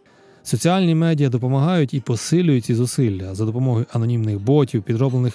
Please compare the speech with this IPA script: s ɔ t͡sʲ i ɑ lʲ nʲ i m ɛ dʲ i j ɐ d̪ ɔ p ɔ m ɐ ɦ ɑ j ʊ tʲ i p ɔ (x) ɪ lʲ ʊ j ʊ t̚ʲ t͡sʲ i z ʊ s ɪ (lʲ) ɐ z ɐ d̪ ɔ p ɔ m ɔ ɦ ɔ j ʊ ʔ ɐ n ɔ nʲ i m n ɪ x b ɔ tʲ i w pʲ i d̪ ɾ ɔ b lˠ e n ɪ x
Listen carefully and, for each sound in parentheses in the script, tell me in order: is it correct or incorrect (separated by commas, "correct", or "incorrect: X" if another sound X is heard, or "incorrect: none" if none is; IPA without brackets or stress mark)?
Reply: incorrect: s, incorrect: lʲː